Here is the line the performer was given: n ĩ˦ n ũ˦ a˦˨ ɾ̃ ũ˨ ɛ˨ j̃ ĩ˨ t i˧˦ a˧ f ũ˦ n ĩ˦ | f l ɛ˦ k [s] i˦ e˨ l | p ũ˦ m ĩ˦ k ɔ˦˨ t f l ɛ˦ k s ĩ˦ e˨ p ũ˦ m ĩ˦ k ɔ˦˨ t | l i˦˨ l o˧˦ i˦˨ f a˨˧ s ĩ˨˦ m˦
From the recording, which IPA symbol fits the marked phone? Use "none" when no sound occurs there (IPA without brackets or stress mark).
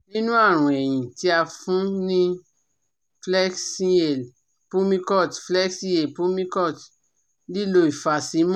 s